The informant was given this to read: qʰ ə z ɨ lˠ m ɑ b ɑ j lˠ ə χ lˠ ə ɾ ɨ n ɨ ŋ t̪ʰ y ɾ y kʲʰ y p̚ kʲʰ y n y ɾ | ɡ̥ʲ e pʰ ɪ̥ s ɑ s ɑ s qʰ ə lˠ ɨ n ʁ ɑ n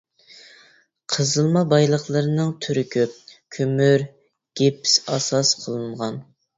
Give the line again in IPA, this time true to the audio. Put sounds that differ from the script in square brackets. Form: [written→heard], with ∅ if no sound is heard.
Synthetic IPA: qʰ ə z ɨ lˠ m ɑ b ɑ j lˠ ə χ lˠ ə ɾ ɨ n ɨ ŋ t̪ʰ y ɾ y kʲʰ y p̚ kʲʰ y [n→m] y ɾ | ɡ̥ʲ e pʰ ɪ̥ s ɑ s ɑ s qʰ ə lˠ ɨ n ʁ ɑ n

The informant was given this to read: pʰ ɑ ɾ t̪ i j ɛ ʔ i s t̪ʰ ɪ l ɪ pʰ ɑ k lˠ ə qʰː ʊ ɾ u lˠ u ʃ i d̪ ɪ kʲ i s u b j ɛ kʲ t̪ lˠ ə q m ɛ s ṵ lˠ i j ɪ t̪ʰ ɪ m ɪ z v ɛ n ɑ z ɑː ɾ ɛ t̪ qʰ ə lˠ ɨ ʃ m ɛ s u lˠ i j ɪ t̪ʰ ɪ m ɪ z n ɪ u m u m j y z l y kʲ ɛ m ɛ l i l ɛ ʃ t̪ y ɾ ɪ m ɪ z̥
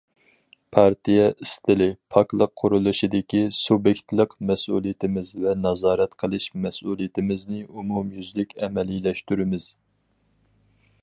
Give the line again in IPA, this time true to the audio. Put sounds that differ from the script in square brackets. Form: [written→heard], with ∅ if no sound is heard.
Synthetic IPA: pʰ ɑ ɾ t̪ i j ɛ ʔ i s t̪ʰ ɪ l ɪ pʰ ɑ k lˠ ə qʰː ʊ ɾ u lˠ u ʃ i d̪ ɪ kʲ i s u b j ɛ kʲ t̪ lˠ ə q m ɛ s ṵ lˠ i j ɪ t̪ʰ ɪ m ɪ z v ɛ n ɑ z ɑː ɾ ɛ t̪ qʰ ə lˠ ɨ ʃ m ɛ s u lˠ i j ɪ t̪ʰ ɪ m ɪ z n ɪ u m u m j y z l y kʲ ɛ m ɛ l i l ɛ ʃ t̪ y ɾ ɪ m ɪ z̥

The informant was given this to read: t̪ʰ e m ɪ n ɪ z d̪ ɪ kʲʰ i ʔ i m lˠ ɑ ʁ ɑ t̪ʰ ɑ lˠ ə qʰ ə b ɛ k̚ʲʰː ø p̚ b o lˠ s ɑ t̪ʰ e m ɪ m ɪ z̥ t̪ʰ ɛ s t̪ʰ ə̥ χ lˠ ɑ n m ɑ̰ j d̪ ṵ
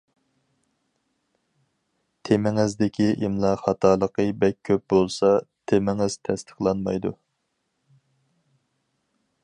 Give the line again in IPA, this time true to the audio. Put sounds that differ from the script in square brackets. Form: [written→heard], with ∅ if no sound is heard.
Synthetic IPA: t̪ʰ e m ɪ [n→ŋ] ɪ z d̪ ɪ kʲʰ i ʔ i m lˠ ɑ [ʁ→χ] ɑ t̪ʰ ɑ lˠ ə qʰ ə b ɛ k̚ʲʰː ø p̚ b o lˠ s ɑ t̪ʰ e m ɪ [m→ŋ] ɪ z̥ t̪ʰ ɛ s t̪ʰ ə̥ χ lˠ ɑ n m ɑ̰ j d̪ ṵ

